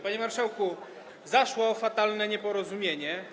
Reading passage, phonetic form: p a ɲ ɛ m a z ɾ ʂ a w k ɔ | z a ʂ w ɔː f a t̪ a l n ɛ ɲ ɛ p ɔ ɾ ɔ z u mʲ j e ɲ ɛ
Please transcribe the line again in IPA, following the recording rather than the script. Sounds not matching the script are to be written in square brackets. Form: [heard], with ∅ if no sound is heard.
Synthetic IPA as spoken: p a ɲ ɛ m a [∅] ɾ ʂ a w k [u] | z a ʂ w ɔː f a t̪ a l n ɛ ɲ ɛ p ɔ ɾ ɔ z u mʲ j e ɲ ɛ

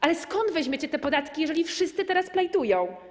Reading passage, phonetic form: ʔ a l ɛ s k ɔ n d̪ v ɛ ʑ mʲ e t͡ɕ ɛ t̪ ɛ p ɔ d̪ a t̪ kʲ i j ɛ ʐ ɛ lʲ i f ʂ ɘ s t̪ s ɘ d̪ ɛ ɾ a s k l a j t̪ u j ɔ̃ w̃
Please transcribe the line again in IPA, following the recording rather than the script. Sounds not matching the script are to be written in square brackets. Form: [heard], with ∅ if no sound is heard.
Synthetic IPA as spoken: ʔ a l ɛ s k ɔ n d̪ v ɛ ʑ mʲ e t͡ɕ ɛ t̪ ɛ p ɔ d̪ a t̪ kʲ i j ɛ ʐ ɛ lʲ i f ʂ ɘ s t̪ s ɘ [t̪] ɛ ɾ a s [p] l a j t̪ u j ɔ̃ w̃

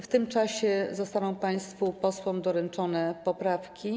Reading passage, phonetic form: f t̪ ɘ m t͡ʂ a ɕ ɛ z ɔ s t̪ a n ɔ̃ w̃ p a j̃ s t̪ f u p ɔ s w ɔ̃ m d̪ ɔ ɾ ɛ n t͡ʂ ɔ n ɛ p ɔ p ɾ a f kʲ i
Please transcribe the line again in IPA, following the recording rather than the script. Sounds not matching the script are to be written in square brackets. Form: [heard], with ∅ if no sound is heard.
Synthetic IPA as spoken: f t̪ ɘ m t͡ʂ a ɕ ɛ z ɔ s t̪ a n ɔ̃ w̃ p a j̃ s t̪ f u p ɔ s w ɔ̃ m d̪ ɔ ɾ ɛ n t͡ʂ ɔ n ɛ p ɔ p ɾ a f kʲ i

